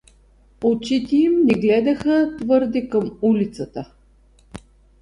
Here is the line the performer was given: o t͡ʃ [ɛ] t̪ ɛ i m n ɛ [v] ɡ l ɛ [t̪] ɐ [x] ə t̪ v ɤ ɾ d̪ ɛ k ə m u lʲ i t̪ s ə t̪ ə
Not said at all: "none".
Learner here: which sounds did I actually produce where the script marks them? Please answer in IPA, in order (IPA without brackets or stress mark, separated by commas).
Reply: i, none, d̪, x